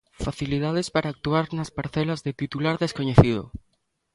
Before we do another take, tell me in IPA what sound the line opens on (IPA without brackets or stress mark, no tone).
f